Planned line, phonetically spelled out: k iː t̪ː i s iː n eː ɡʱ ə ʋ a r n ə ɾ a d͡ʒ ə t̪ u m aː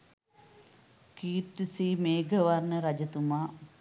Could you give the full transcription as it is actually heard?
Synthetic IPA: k iː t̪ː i s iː m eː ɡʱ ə ʋ a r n ə ɾ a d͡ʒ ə t̪ u m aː